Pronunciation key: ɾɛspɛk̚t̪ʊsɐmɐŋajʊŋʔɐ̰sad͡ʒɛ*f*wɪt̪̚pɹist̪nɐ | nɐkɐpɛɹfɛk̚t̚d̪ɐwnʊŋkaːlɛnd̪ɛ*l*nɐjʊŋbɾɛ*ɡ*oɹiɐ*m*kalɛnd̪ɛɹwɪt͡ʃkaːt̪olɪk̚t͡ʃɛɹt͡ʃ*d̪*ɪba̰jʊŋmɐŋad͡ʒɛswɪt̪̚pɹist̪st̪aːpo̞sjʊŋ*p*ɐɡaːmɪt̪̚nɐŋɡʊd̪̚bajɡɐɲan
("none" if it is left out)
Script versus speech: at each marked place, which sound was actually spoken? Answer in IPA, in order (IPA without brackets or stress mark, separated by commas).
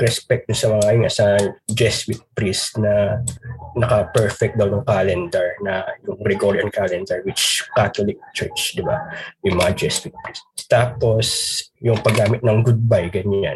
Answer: s, ɹ, ɡ, n, d̪, p